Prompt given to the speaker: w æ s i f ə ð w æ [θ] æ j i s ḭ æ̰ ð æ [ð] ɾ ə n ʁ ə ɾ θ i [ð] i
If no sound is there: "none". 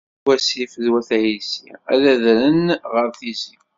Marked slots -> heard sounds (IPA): θ, ð, z

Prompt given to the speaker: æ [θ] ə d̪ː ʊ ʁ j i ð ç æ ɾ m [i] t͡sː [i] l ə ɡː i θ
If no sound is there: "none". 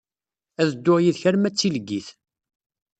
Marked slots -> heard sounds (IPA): ð, æ, i

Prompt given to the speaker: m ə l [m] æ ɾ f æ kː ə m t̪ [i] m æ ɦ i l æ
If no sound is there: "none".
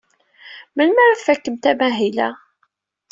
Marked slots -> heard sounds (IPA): m, æ

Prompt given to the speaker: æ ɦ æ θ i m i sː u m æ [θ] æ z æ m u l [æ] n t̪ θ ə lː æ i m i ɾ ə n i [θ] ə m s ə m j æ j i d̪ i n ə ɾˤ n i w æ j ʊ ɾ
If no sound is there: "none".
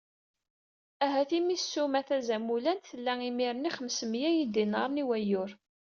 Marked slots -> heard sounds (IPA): θ, æ, χ

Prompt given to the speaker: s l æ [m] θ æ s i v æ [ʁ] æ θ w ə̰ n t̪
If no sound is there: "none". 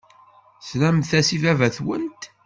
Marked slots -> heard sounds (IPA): m, v

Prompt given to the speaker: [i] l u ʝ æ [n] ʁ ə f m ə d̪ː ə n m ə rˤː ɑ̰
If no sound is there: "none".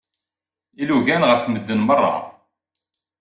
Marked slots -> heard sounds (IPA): i, n

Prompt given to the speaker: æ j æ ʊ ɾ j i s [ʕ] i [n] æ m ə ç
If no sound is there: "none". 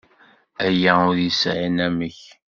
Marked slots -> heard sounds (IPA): ʕ, n

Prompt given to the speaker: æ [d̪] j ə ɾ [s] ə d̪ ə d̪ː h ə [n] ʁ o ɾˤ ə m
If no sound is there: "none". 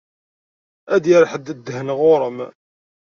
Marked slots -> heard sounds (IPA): d̪, ħ, n

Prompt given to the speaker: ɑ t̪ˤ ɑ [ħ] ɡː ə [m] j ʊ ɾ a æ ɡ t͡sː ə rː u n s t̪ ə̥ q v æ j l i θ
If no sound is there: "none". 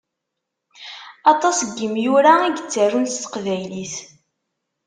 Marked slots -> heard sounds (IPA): s, m

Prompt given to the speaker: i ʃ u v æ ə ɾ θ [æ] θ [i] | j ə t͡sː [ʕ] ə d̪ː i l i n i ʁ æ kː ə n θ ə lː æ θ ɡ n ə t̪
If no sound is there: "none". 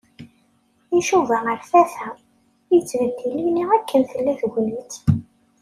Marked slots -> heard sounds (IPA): æ, æ, v

